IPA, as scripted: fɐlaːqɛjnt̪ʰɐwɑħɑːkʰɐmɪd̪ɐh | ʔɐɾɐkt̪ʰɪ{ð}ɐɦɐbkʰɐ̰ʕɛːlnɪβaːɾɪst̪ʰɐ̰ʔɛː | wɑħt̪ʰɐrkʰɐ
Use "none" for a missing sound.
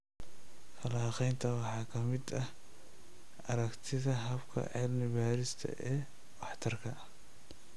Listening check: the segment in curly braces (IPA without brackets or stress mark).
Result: ð